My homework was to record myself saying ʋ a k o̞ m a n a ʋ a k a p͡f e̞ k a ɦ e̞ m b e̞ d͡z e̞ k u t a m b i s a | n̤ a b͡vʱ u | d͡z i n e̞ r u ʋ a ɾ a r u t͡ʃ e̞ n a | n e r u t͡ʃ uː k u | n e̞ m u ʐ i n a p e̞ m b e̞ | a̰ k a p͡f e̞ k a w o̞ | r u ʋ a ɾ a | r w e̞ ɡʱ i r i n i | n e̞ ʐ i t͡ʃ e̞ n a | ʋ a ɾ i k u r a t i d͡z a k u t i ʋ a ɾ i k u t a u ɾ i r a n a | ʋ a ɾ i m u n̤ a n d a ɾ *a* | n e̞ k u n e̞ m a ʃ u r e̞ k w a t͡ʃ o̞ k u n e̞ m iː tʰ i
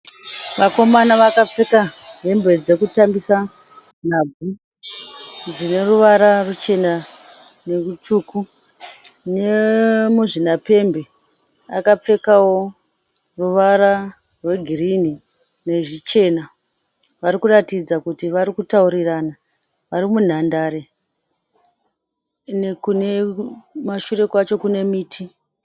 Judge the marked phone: incorrect: e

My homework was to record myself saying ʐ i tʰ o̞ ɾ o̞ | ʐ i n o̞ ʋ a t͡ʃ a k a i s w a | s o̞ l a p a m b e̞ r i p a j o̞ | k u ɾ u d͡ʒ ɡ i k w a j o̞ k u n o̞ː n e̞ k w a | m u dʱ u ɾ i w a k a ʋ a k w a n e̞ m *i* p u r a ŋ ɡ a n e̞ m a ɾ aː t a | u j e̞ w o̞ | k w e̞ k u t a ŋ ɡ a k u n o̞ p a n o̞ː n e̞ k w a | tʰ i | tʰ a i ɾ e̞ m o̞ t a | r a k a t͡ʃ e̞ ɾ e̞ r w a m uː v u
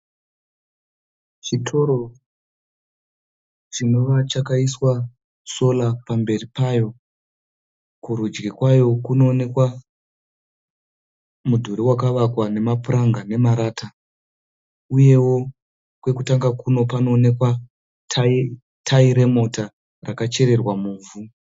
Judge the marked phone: incorrect: a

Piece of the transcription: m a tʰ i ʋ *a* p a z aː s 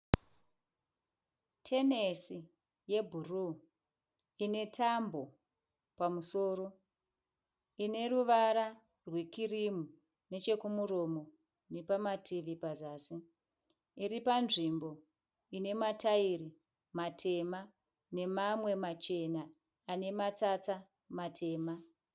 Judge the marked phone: incorrect: i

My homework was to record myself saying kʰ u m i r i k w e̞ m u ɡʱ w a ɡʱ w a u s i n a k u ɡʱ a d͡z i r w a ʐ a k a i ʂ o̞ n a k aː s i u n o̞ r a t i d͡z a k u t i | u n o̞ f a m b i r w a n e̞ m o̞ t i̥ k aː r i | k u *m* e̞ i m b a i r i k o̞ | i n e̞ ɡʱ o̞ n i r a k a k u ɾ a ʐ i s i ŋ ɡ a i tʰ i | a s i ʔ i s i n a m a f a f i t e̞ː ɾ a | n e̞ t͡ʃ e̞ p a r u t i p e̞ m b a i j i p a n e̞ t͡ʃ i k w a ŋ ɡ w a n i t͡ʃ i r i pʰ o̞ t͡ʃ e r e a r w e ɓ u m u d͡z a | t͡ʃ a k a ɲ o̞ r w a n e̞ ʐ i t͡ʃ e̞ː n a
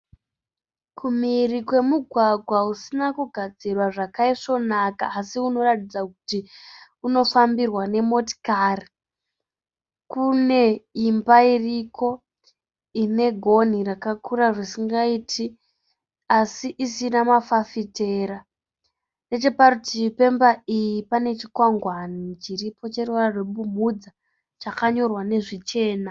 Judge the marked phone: incorrect: n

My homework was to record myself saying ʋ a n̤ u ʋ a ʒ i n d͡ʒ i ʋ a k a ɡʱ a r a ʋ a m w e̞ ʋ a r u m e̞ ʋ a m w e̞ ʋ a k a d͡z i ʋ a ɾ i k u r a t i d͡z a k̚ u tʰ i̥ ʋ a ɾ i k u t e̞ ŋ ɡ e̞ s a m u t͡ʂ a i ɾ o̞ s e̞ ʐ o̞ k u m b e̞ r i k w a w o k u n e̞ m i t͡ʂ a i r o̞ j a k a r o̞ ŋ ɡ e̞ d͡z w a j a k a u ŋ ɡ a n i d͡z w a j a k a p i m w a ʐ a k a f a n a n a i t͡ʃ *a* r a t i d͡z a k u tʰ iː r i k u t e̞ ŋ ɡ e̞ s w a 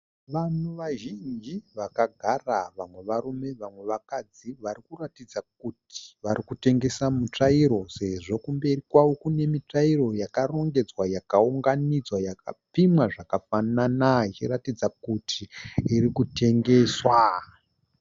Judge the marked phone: incorrect: i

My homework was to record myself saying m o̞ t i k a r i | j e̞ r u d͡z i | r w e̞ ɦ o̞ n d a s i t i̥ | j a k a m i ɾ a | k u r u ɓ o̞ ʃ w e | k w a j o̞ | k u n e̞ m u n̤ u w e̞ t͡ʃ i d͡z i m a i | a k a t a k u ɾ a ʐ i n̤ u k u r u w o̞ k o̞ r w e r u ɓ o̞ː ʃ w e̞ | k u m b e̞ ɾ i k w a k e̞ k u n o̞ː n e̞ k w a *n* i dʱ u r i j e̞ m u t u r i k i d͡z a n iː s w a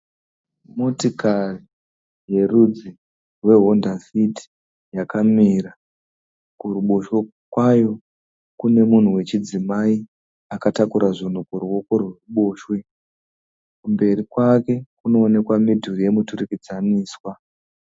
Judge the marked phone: incorrect: m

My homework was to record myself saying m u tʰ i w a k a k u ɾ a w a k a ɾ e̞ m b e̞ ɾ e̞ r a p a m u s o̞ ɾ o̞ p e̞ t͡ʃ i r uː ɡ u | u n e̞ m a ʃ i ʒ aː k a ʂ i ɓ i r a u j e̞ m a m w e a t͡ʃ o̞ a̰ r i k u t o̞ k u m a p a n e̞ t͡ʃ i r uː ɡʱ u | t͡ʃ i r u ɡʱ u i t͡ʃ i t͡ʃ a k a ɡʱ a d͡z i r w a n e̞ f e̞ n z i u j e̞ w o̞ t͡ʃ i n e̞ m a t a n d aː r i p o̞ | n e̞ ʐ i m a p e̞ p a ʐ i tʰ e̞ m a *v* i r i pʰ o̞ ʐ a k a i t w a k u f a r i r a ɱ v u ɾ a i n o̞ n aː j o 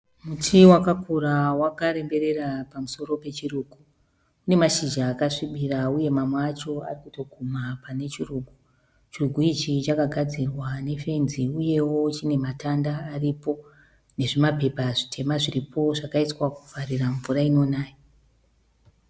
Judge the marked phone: incorrect: ʐ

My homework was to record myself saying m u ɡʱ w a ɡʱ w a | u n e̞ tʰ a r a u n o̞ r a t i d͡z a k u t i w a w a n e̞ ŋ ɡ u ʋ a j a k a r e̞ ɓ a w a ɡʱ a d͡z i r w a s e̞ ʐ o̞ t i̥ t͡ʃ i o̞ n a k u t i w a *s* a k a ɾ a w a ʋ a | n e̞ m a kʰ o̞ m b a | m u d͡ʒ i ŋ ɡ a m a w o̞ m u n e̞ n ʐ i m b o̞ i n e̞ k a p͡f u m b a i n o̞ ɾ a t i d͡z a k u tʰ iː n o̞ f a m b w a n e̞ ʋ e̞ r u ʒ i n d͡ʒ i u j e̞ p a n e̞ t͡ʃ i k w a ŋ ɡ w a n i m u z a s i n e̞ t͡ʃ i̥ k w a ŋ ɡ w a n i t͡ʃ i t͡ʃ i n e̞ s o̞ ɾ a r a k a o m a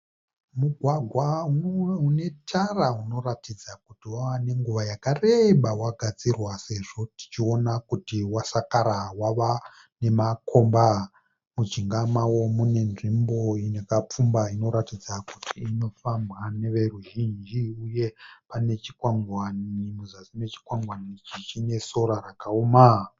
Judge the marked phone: correct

